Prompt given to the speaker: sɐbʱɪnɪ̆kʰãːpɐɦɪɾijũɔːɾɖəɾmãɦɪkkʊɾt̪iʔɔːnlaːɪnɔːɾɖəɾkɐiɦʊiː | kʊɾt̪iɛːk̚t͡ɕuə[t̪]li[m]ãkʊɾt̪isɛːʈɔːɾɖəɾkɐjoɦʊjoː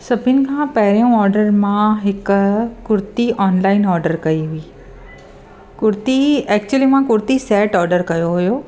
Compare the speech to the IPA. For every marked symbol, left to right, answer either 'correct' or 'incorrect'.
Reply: incorrect: none, correct

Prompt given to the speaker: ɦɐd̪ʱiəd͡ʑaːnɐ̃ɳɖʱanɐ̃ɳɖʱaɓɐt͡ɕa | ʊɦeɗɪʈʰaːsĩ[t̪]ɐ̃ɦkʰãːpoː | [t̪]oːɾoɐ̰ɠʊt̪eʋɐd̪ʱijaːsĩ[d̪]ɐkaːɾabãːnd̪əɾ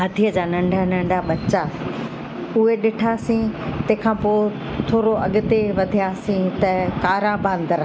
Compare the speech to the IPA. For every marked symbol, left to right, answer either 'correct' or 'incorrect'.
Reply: correct, incorrect: t̪ʰ, incorrect: t̪

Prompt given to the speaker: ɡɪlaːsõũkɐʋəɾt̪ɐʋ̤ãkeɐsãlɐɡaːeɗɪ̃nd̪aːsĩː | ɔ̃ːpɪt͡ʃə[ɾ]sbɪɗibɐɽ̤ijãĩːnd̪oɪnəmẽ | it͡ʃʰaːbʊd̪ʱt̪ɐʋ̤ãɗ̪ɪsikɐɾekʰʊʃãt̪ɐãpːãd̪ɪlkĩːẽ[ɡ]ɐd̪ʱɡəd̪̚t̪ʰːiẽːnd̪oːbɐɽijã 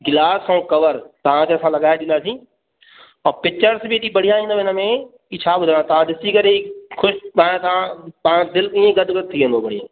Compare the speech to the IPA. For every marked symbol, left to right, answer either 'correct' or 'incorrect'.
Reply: correct, correct

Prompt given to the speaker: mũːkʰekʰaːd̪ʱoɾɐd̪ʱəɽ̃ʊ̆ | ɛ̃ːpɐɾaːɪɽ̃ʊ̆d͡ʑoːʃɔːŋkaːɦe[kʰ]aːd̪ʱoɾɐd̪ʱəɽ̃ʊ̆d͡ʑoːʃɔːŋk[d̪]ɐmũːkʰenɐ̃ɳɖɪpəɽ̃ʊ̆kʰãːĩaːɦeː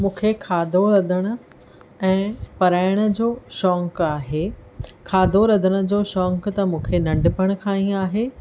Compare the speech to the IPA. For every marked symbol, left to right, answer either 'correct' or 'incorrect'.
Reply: correct, incorrect: t̪

